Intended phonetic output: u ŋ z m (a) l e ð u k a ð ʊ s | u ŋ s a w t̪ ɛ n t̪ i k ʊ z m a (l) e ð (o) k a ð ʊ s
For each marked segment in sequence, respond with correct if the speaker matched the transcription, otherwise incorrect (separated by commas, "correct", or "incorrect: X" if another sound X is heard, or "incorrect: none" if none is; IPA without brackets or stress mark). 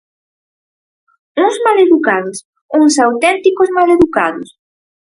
correct, correct, incorrect: u